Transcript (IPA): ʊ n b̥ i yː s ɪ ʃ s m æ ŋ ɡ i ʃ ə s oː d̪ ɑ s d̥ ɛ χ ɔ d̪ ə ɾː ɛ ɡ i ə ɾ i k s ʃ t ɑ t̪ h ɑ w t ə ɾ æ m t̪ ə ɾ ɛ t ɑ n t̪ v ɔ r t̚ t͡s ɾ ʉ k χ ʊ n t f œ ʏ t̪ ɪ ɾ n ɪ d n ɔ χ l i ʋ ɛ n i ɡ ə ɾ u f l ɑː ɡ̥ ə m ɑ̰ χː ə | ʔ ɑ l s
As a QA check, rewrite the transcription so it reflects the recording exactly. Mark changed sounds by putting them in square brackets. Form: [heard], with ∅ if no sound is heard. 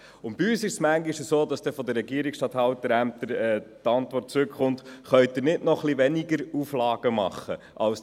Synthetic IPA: ʊ n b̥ i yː s ɪ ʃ s m æ ŋ ɡ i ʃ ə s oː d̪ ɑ s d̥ ɛ [f] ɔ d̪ ə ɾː ɛ ɡ i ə ɾ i k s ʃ t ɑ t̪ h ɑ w t ə ɾ æ m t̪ ə ɾ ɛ t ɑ n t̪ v ɔ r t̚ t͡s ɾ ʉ k χ ʊ n t [χ] œ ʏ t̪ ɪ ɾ n ɪ d n ɔ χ l i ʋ ɛ n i ɡ ə ɾ u f l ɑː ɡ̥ ə m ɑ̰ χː ə | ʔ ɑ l s

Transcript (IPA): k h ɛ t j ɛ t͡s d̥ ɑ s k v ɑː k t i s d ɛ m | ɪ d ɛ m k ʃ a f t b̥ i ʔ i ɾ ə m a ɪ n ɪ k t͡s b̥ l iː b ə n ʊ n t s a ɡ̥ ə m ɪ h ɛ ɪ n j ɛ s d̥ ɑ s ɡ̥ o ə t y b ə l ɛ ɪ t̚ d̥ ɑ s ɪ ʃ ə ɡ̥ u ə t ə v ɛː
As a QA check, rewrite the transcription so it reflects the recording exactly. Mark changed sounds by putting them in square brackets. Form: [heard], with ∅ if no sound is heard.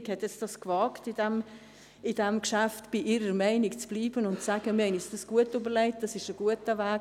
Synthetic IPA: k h ɛ t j ɛ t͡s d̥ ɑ s k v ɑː k t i [∅] d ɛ m | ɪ d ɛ m k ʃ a f t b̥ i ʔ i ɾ ə m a ɪ n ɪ k t͡s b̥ l iː b ə n ʊ n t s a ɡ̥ ə m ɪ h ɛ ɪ n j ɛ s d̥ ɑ s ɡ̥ [u] ə t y b ə l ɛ ɪ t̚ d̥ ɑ s ɪ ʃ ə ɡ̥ u ə t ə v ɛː

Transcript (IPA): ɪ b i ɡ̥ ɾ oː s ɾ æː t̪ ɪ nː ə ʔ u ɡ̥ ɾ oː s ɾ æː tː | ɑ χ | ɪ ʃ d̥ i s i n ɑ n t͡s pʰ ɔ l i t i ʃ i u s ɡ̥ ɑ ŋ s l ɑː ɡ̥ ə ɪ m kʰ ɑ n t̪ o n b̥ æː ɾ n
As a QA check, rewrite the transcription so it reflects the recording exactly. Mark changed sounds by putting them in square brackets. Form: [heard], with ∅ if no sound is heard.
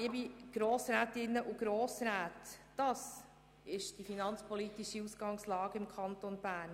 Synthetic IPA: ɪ b i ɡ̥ ɾ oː s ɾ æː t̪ ɪ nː ə ʔ u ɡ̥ ɾ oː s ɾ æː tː | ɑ [s] | ɪ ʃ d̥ i [f] i n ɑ n t͡s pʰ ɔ l i t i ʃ i u s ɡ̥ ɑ ŋ s l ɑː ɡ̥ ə ɪ m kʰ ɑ n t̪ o n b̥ æː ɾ n

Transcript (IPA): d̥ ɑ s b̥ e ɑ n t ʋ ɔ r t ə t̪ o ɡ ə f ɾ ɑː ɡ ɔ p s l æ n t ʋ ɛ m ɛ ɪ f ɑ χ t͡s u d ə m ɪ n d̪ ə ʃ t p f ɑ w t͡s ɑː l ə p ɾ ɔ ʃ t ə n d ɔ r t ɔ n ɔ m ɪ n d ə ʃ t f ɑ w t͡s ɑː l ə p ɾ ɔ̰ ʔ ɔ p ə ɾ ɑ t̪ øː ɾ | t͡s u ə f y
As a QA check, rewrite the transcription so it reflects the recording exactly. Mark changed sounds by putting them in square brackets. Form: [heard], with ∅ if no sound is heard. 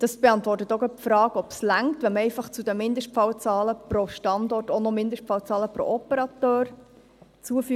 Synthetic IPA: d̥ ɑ s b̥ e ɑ n t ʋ ɔ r t ə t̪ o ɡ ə f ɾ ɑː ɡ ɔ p s l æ [ŋ] t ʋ ɛ m ɛ ɪ f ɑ χ t͡s u d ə m ɪ n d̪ ə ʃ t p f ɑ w t͡s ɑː l ə p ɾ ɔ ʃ t [ɑ] n d ɔ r t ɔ n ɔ m ɪ n d ə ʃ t f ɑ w t͡s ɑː l ə p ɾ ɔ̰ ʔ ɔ p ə ɾ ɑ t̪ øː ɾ | t͡s u ə f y

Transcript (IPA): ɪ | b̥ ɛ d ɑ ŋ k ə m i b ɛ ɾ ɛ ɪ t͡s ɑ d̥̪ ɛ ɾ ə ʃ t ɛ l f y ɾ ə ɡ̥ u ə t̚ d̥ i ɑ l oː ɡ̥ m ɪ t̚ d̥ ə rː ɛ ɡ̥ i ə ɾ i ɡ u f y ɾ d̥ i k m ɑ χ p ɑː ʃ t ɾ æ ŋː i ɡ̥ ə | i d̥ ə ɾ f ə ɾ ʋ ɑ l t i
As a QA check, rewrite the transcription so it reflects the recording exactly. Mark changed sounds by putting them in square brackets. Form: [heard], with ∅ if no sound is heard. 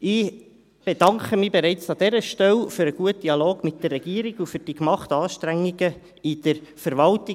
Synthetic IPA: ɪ | b̥ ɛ d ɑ ŋ k ə m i b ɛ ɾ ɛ ɪ t͡s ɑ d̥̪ ɛ ɾ ə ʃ t ɛ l f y ɾ ə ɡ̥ u ə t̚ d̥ i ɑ l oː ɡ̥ m ɪ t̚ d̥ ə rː ɛ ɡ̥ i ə ɾ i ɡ u f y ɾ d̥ i k m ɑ χ [t] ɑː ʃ t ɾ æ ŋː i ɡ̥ ə | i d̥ ə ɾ f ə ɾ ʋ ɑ l t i

